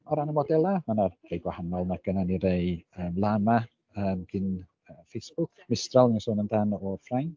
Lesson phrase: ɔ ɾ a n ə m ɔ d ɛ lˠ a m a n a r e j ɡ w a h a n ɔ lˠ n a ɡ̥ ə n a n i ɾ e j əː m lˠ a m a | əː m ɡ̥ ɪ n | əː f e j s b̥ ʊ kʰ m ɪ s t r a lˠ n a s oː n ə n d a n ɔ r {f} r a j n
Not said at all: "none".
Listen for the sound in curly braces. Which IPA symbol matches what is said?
f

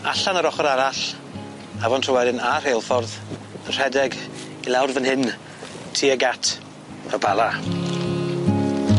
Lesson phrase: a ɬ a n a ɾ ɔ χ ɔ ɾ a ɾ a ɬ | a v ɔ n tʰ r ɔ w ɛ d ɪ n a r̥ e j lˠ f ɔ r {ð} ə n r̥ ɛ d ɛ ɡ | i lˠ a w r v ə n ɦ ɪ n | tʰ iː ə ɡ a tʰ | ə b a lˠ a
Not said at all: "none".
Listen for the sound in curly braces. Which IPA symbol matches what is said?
ð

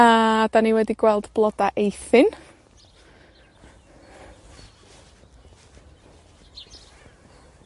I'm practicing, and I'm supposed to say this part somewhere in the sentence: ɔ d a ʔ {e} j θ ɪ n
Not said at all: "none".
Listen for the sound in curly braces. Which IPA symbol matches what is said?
e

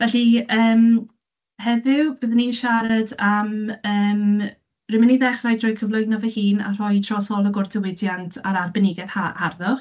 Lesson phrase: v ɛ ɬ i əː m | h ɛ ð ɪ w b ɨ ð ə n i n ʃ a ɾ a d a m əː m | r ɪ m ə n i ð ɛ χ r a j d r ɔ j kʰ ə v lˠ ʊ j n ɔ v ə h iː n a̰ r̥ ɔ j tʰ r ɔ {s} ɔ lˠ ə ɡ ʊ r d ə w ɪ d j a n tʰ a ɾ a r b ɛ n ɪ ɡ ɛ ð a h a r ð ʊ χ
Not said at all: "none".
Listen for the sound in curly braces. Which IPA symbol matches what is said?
s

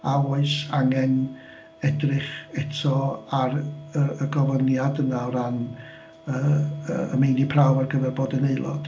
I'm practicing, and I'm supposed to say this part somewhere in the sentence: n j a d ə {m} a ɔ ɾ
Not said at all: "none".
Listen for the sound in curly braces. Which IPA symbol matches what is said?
n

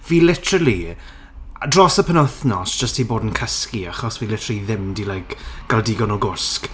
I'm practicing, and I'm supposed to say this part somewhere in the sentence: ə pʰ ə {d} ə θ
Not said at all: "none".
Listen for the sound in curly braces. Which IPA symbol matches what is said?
n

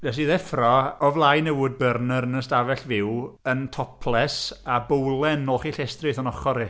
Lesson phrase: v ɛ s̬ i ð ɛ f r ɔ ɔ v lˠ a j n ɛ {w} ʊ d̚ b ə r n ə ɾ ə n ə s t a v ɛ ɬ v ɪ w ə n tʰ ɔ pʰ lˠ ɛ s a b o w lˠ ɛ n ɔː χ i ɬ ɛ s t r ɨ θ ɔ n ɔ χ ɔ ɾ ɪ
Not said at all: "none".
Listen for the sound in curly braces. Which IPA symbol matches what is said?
w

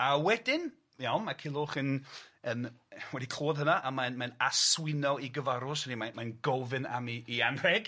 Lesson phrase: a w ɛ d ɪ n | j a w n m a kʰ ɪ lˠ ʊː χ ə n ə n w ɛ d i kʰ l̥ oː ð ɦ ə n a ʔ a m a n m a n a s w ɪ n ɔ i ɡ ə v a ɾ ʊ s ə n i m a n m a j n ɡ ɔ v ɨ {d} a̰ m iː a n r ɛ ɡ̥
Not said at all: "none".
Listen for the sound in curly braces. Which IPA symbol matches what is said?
n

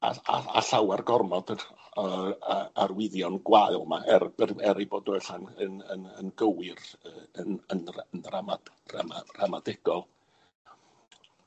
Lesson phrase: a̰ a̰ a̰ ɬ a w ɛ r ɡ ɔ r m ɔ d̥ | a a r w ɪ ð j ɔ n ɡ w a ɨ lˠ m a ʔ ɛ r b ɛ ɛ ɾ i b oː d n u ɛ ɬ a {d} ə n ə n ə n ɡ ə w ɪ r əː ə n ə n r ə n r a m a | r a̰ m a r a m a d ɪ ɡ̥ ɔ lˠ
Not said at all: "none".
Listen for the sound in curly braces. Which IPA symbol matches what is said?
n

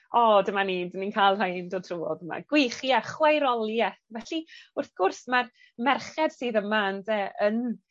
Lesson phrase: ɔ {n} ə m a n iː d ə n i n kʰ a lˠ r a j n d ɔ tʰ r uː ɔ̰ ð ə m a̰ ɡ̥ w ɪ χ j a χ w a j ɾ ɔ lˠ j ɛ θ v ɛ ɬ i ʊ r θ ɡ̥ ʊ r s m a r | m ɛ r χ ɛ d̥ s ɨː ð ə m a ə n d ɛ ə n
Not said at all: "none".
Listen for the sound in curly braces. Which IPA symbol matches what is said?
d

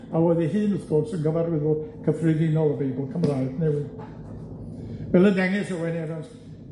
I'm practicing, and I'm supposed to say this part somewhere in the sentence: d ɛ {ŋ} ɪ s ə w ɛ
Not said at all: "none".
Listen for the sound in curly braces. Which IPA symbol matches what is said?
ŋ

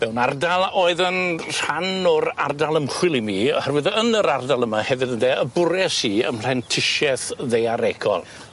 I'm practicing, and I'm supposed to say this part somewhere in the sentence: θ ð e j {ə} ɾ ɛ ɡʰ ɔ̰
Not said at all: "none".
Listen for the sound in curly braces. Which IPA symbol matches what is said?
a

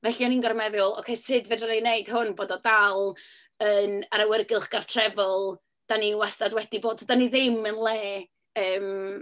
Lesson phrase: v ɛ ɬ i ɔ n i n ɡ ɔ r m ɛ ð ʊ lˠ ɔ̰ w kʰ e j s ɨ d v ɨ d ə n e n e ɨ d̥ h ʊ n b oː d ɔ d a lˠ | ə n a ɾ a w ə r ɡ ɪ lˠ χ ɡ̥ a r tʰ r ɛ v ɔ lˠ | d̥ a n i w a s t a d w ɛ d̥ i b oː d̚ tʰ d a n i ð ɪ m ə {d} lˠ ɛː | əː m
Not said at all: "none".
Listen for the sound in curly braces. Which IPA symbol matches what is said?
n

